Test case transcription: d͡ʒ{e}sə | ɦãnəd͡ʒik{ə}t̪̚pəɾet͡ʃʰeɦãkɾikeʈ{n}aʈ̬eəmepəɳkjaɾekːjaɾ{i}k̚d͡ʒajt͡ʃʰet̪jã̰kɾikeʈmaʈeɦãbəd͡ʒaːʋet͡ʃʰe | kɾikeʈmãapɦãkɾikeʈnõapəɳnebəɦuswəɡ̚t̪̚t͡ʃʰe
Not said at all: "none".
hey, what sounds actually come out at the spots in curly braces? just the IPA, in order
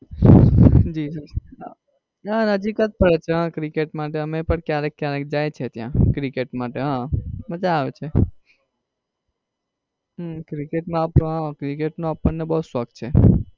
i, ə, m, e

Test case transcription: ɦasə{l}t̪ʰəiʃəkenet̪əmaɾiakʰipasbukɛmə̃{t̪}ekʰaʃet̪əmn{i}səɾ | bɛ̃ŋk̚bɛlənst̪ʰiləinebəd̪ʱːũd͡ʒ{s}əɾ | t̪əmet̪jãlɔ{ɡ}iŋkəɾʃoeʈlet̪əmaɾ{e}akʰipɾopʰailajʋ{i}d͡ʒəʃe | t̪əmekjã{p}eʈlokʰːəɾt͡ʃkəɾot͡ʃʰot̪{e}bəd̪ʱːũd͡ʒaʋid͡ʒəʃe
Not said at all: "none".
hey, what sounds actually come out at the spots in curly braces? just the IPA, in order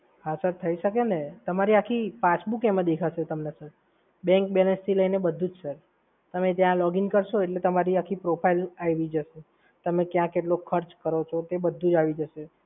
ɾ, d̪, e, s, ɡ, i, i, k, e

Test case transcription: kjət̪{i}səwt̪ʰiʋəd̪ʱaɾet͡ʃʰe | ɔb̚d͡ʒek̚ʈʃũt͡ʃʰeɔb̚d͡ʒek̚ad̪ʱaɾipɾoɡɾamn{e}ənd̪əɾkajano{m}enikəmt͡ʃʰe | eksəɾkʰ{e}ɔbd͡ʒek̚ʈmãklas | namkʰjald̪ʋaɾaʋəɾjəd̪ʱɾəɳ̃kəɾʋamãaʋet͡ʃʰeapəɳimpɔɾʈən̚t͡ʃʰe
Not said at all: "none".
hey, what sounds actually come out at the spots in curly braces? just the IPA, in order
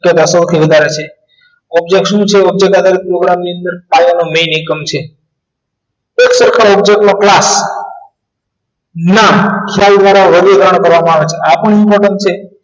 a, i, m, a

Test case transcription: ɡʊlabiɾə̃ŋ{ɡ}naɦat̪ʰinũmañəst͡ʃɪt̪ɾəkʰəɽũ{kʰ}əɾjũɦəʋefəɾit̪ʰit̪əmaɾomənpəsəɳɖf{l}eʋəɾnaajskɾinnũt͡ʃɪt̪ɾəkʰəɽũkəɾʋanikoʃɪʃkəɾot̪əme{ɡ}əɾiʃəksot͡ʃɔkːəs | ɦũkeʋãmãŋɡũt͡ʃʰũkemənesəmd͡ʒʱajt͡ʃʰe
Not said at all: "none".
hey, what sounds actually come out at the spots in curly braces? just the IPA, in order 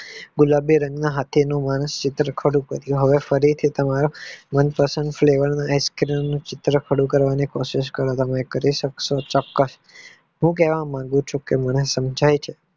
ɡ, k, l, k

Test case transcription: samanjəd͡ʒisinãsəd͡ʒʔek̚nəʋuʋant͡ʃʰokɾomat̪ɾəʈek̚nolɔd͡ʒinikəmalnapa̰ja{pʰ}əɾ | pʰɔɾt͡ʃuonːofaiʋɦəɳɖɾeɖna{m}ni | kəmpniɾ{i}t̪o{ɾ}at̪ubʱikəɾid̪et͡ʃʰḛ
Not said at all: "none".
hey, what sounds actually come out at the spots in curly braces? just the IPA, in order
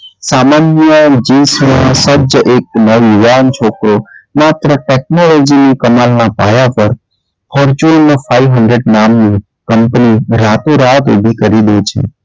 p, m, a, ɾ

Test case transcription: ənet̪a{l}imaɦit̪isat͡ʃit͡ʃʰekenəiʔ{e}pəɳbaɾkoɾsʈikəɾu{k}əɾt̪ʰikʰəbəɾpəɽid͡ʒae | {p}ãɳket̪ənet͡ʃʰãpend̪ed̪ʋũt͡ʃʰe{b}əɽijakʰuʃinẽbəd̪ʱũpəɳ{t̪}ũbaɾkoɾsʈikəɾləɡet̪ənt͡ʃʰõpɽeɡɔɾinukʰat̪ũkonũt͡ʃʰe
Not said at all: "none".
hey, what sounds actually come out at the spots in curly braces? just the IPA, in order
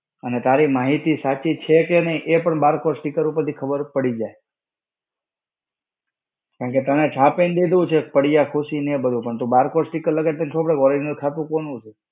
ɾ, e, p, k, p, t̪

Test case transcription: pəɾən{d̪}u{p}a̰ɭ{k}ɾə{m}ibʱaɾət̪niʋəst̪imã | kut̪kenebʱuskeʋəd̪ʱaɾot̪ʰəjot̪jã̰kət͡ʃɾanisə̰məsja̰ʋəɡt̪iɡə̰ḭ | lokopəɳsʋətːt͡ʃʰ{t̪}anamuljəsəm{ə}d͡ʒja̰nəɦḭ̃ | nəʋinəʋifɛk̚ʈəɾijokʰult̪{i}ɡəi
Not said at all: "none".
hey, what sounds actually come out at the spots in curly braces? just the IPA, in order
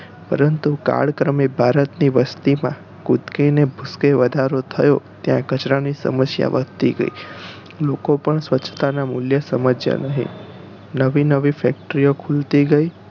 t̪, k, k, m, t̪, ə, i

